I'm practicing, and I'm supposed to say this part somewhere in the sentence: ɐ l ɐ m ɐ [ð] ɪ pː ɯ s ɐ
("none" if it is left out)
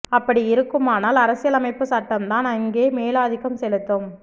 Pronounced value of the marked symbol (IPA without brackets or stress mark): none